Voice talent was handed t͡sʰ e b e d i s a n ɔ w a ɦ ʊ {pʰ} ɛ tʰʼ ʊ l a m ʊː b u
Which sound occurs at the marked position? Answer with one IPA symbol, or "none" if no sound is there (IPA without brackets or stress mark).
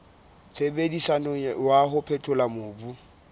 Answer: pʰ